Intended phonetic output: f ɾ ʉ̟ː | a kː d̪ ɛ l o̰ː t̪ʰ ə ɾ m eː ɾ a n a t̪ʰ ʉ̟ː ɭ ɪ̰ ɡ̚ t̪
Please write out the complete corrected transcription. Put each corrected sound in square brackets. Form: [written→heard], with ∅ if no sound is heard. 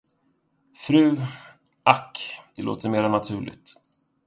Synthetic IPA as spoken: f ɾ ʉ̟ː | a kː d̪ ɛ l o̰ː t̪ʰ ə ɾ m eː ɾ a n a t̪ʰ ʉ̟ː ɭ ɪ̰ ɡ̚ t̪